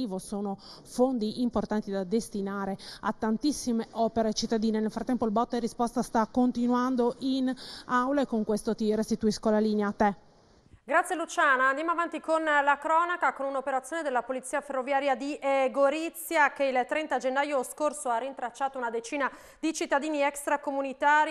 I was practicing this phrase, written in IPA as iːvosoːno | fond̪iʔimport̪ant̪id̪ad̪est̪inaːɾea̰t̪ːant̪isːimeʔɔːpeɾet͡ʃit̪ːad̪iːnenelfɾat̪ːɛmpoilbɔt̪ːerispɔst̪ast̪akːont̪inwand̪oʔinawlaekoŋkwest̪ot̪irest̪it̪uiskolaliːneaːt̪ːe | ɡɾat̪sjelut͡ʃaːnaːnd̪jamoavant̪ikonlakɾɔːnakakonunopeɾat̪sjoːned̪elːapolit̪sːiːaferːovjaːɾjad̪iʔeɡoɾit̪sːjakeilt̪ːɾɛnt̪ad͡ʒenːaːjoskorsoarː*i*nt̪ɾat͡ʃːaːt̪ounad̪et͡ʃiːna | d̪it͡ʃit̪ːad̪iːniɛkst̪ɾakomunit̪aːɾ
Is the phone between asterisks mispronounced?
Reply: no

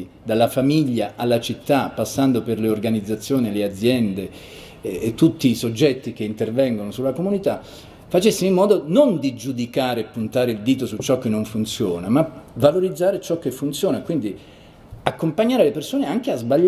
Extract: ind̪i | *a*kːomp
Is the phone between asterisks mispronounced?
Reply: no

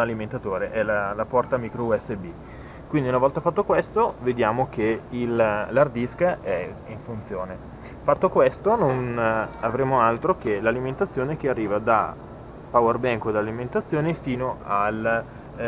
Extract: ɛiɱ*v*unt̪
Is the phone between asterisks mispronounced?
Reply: yes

